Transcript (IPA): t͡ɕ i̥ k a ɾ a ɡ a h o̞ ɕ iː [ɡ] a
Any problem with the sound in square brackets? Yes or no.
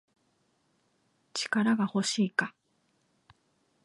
yes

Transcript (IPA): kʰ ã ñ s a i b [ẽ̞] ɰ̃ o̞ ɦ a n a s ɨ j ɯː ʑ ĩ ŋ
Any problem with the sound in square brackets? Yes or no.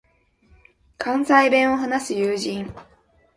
no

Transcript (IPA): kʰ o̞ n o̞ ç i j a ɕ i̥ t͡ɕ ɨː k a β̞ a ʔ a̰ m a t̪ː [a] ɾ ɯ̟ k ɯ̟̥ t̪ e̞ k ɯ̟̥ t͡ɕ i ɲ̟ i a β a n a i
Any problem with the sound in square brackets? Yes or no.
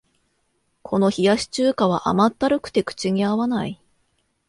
no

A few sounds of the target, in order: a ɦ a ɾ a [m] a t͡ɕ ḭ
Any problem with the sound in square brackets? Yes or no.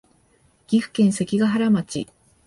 no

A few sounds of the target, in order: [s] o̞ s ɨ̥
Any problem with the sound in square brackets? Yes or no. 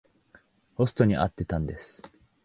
yes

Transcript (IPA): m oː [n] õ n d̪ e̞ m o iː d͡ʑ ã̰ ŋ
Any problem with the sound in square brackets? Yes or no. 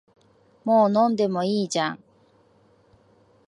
no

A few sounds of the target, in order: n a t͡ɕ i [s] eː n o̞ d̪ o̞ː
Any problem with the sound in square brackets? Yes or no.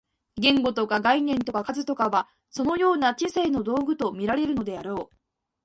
no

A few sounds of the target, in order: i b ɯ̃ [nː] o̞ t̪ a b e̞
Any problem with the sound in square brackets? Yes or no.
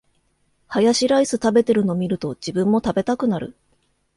yes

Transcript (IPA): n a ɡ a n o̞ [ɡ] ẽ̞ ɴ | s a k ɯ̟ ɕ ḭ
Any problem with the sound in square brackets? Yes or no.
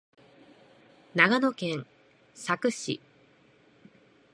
yes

